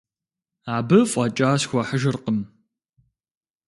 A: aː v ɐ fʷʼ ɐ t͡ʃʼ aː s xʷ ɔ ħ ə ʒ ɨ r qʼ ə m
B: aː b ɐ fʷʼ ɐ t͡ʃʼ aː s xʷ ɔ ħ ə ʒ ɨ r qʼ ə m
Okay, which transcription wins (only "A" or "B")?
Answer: B